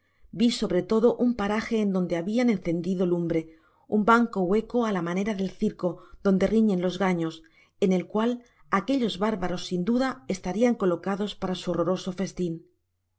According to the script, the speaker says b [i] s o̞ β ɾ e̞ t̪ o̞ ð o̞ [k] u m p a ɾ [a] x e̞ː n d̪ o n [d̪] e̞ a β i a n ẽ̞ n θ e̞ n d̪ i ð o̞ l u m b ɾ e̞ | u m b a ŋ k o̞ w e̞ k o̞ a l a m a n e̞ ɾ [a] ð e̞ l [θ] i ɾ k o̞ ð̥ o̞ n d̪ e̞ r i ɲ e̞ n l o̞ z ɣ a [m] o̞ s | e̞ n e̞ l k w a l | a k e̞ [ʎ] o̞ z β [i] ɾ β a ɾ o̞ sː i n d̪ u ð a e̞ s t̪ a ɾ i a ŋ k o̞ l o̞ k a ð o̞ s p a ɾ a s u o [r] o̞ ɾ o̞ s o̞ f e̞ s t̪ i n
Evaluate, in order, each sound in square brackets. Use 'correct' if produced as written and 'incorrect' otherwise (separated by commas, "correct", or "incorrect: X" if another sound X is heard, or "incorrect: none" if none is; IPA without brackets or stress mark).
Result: correct, incorrect: ʔ, correct, correct, correct, correct, incorrect: ɲ, correct, incorrect: a, correct